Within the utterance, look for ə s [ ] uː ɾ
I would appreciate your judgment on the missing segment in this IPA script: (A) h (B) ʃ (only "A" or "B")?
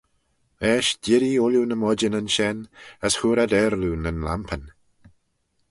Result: A